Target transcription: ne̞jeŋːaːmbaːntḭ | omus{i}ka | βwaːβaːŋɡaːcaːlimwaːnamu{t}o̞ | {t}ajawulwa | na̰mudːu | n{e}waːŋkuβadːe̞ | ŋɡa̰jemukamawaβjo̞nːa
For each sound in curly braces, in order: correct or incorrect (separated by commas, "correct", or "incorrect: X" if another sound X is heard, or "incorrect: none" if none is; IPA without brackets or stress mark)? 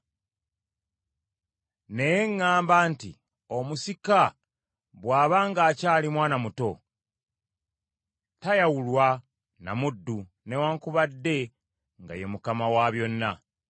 correct, correct, correct, correct